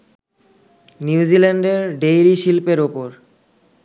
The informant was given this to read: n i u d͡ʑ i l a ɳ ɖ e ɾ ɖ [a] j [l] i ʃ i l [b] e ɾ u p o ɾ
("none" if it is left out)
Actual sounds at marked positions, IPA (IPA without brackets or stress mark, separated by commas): e, ɾ, p